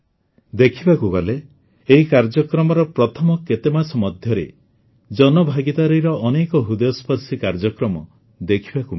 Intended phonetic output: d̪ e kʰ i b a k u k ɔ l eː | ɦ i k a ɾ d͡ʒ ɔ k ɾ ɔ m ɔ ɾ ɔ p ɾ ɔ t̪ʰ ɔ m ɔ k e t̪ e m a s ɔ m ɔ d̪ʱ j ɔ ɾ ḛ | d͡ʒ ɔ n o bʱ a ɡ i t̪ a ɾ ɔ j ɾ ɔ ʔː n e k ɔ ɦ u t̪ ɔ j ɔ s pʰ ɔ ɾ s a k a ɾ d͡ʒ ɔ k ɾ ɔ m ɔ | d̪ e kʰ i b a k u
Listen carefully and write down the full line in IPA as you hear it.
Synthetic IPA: d̪ e kʰ i b a k u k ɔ l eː | ɦ i k a ɾ d͡ʒ ɔ k ɾ ɔ m ɔ ɾ ɔ p ɾ ɔ t̪ʰ ɔ m ɔ k e t̪ e m a s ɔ m ɔ d̪ʱ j ɔ ɾ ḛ | d͡ʒ ɔ n ɔ bʱ a ɡ i t̪ a ɾ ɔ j ɾ ɔ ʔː n e k ɔ ɦ u d̪ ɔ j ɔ s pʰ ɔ ɾ s i k a ɾ d͡ʒ ɔ k ɾ ɔ m ɔ | d̪ e kʰ i b a k u